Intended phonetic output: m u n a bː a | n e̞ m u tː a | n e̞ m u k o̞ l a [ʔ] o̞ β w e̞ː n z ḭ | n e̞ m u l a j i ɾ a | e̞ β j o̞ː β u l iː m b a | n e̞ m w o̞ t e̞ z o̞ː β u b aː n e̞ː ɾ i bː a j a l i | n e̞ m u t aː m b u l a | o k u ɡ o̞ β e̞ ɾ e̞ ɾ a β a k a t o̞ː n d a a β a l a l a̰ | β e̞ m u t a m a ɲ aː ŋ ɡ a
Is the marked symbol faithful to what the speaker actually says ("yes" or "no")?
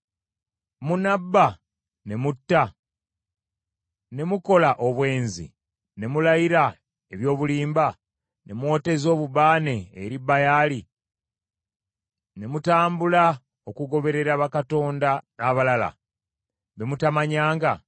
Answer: yes